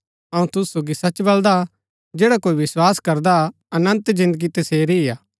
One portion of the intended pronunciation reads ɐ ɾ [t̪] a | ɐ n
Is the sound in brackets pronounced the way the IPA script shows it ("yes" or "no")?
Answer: no